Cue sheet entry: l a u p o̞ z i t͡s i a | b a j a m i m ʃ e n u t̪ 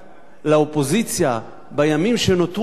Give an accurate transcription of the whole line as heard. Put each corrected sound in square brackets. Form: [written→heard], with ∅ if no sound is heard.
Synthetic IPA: l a [u→o] p o̞ z i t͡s [i→j] a | b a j a m i m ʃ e n [u→o] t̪